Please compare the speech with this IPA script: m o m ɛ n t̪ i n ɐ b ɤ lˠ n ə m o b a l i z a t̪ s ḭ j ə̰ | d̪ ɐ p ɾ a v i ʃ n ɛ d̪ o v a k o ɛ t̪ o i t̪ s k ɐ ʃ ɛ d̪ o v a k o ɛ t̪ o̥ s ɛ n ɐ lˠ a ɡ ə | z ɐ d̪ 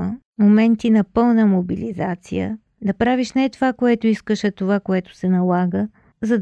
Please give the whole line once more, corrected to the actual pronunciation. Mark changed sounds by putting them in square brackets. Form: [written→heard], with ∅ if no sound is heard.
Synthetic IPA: m o m ɛ n t̪ i n ɐ [b→p] ɤ lˠ n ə m o b [a→i] l i z a t̪ s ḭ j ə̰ | d̪ ɐ p ɾ a v i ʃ n ɛ [d̪→t̪] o v a k o ɛ t̪ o i [t̪→∅] s k [ɐ→ə] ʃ ɛ [d̪→t̪] o v a k o ɛ t̪ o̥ s ɛ n ɐ lˠ a ɡ ə | z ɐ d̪